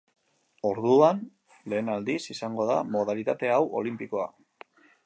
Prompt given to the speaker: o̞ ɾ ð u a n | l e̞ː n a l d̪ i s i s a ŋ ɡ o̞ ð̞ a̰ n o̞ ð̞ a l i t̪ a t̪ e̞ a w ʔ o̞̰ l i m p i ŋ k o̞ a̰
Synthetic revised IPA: o̞ ɾ ð u a n | l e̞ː n a l d̪ i s i s a ŋ ɡ o̞ ð̞ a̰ m o̞ ð̞ a l i t̪ a t̪ e̞ a w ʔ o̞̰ l i m p i k o̞ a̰